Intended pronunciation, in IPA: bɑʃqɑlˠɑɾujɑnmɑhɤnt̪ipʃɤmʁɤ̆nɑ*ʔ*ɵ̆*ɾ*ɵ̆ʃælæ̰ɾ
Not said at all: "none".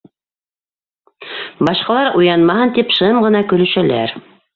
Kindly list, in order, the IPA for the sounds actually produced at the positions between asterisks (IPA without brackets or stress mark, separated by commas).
k, l